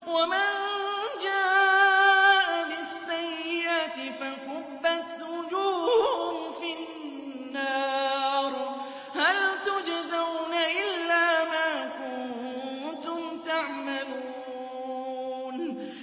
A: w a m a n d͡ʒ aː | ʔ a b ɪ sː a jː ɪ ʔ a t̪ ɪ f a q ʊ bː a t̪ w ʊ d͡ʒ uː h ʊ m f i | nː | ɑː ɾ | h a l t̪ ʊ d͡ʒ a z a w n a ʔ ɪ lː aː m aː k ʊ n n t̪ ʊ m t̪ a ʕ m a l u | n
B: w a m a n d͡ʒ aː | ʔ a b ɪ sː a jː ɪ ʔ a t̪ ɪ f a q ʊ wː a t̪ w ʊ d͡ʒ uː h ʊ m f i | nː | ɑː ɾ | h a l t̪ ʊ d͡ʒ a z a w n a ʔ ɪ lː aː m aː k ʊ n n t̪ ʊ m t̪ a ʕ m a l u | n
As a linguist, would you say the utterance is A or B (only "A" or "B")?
A